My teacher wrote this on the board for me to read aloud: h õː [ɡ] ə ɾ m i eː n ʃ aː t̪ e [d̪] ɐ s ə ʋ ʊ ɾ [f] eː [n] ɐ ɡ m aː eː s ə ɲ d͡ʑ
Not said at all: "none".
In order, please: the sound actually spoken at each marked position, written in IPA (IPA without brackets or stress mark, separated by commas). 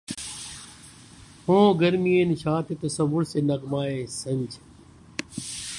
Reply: ɡ, t̪, s, n